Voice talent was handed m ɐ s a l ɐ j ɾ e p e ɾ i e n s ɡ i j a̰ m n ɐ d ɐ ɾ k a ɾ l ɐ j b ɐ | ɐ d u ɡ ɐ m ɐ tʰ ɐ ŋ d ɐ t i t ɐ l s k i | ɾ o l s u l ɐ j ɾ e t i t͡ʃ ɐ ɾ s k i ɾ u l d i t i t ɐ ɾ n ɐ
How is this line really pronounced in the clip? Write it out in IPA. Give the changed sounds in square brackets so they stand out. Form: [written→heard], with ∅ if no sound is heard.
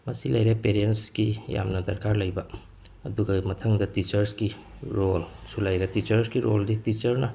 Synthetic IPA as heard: m ɐ s [a→i] l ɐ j ɾ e p e ɾ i e n s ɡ i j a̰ m n ɐ d ɐ ɾ k a ɾ l ɐ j b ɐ | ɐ d u ɡ ɐ m ɐ tʰ ɐ ŋ d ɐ t i [t→t͡ʃ] ɐ [l→ɾ] s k i | ɾ o l s u l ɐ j ɾ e t i t͡ʃ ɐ ɾ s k i ɾ [u→o] l d i t i [t→t͡ʃ] ɐ ɾ n ɐ